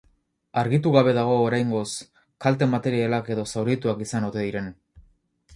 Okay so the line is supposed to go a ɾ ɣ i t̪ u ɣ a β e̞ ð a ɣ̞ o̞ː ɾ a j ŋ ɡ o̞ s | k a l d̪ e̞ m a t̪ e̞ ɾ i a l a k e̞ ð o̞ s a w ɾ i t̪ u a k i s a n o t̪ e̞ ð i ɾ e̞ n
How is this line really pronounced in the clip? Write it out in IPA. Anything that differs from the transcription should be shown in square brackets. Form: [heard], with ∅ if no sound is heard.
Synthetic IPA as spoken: a ɾ ɣ i t̪ u ɣ a β e̞ ð a ɣ̞ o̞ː ɾ a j ŋ ɡ o̞ s | k a l [t̪] e̞ m a t̪ e̞ ɾ i a l a k e̞ ð o̞ s a w ɾ i t̪ u a k i s a n o t̪ e̞ ð i ɾ e̞ n